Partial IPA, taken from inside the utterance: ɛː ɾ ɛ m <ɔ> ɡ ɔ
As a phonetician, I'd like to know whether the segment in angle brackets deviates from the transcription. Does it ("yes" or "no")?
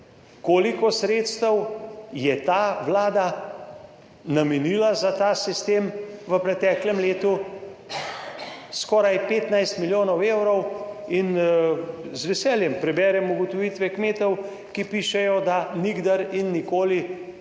yes